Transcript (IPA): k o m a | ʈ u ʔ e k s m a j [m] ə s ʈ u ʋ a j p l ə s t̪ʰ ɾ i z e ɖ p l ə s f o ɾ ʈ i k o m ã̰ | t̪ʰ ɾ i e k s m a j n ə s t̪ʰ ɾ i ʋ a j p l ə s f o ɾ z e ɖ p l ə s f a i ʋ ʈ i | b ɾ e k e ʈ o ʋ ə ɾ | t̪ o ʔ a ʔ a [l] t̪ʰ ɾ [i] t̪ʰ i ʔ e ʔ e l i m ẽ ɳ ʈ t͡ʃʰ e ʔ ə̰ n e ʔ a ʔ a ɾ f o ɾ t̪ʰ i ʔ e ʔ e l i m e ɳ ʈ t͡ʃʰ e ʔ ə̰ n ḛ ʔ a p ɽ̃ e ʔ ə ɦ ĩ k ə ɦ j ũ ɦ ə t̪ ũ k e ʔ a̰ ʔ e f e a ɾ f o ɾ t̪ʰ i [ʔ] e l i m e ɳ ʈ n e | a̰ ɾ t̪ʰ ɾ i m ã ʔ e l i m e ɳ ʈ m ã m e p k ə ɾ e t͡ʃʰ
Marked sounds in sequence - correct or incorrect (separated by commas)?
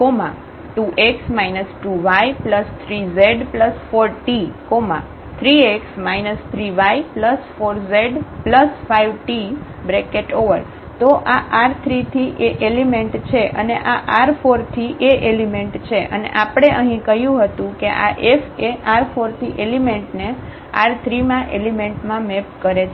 incorrect, incorrect, correct, correct